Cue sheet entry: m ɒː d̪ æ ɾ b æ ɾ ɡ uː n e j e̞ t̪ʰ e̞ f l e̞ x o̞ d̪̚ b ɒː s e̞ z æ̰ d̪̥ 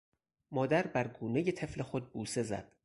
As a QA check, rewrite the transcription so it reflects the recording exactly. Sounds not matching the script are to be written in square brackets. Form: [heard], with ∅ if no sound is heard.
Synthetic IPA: m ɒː d̪ æ ɾ b æ ɾ ɡ uː n e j e̞ t̪ʰ e̞ f l e̞ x o̞ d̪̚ b [uː] s e̞ z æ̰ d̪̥